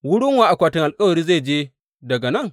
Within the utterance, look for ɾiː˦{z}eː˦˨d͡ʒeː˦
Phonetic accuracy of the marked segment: correct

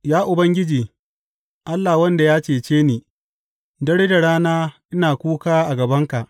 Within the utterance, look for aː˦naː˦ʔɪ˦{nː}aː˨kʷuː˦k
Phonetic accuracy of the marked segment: incorrect: n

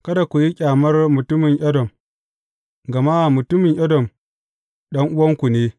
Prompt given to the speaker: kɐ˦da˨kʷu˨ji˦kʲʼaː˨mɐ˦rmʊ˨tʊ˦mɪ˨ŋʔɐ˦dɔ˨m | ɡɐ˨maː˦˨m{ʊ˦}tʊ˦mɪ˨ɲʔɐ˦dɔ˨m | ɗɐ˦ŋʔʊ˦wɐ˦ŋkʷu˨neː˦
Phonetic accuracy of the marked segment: incorrect: ʊ˨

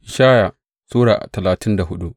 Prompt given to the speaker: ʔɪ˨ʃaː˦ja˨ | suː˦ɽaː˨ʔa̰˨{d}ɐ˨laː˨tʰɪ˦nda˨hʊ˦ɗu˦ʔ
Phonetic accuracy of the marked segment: incorrect: t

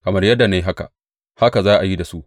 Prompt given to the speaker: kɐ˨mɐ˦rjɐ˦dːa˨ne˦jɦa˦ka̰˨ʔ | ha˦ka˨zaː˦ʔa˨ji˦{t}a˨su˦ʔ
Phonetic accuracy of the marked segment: incorrect: d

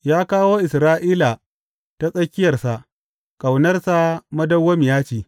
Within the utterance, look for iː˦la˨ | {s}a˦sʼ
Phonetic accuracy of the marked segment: incorrect: t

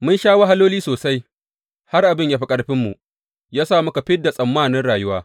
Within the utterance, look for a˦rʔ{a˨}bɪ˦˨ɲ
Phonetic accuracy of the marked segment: correct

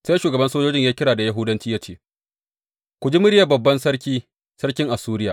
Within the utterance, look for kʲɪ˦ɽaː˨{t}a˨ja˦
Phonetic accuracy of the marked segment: incorrect: d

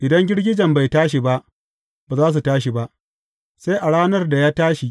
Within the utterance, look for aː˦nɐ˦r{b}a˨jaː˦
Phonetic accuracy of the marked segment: incorrect: d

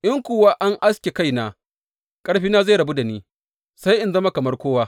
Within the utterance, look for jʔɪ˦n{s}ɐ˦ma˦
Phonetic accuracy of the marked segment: incorrect: z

